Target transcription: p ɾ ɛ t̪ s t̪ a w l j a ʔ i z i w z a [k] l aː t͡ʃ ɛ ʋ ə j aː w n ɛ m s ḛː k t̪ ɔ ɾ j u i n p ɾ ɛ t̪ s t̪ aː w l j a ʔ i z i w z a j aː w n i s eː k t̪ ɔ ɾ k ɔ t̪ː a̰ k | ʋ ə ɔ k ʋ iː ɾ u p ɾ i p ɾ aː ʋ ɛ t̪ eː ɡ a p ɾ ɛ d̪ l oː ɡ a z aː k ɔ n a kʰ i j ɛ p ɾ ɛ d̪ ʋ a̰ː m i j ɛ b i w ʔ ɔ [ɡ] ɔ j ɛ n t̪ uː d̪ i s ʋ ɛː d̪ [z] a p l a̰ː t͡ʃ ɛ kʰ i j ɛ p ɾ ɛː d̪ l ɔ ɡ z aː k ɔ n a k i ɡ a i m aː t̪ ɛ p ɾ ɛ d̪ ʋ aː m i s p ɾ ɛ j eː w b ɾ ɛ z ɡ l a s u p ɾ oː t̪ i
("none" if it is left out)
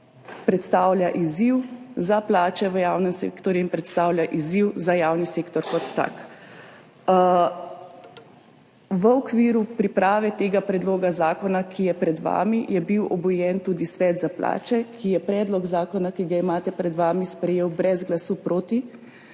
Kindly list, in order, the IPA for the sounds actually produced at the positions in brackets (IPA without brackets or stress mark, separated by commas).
p, b, z